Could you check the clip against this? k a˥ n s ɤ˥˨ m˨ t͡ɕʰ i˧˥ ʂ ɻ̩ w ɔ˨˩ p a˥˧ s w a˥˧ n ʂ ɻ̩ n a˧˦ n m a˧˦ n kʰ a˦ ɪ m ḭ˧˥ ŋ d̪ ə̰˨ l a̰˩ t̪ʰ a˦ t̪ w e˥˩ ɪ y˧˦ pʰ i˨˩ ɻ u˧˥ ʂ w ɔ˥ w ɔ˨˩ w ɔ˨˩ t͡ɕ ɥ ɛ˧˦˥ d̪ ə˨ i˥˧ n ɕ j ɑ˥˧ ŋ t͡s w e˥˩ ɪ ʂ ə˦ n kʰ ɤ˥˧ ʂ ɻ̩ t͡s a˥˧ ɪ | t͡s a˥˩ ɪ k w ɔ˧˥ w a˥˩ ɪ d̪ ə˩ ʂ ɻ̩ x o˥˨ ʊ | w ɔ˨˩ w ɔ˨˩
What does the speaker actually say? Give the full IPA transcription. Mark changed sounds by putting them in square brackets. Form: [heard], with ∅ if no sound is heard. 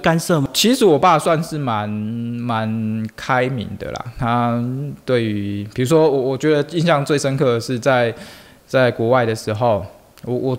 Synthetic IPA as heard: k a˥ n s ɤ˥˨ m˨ t͡ɕʰ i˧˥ ʂ ɻ̩ w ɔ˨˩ p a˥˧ s w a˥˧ n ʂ ɻ̩ [m] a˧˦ n m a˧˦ n kʰ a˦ ɪ m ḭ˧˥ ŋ d̪ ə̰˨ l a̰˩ t̪ʰ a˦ t̪ w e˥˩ ɪ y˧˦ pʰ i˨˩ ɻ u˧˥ ʂ w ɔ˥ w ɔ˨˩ w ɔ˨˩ t͡ɕ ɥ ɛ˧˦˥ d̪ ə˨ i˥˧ n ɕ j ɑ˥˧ ŋ t͡s w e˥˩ ɪ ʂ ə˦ n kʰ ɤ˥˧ ʂ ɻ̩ t͡s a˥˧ ɪ | t͡s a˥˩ ɪ k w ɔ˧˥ w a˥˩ ɪ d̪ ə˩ ʂ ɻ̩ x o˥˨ ʊ | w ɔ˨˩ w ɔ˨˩